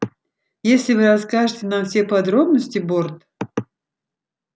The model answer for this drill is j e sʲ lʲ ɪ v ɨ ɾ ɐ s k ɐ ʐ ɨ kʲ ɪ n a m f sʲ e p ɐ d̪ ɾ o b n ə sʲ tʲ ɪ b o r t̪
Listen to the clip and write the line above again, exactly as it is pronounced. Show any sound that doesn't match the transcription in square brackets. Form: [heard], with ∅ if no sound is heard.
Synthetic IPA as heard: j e sʲ lʲ ɪ v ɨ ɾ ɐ s k [a] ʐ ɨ [tʲ] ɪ n a m f sʲ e p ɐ d̪ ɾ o b n ə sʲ tʲ ɪ b o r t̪